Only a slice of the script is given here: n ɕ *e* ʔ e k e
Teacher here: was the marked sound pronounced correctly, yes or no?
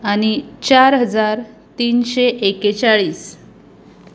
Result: yes